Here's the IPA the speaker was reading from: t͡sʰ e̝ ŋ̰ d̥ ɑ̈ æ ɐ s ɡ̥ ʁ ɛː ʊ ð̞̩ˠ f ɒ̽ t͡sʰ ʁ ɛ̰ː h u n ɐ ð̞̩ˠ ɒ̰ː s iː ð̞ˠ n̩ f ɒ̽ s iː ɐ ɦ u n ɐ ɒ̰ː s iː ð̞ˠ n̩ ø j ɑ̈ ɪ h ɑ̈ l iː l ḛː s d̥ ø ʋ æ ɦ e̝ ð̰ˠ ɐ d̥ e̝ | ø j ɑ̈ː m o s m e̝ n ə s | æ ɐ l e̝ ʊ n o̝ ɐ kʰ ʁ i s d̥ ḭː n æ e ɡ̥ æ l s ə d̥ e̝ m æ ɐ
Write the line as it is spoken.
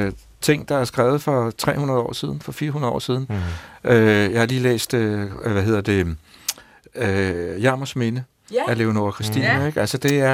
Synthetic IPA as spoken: t͡sʰ e̝ ŋ̰ d̥ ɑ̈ æ ɐ s ɡ̥ ʁ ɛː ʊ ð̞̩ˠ f ɒ̽ t͡sʰ ʁ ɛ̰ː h u n ɐ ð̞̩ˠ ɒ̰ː s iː ð̞ˠ n̩ f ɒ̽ f iː ɐ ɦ u n ɐ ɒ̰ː s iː ð̞ˠ n̩ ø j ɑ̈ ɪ h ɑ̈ l iː l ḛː s d̥ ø ʋ æ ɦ e̝ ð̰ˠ ɐ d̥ e̝ | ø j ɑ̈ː m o s m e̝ n ə | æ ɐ l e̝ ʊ n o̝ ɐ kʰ ʁ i s d̥ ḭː n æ e ɡ̥ æ l s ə d̥ e̝ æ ɐ